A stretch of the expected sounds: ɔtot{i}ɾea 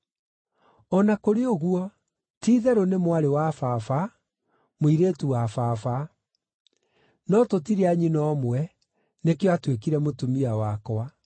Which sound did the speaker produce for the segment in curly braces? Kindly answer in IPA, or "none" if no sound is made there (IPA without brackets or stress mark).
i